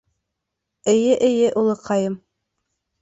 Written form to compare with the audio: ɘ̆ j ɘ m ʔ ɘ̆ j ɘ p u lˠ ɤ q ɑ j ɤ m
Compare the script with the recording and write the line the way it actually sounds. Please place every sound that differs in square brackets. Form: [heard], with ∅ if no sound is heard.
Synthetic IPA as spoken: ɘ̆ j ɘ [∅] ʔ ɘ̆ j ɘ [ʔ] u lˠ ɤ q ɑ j ɤ m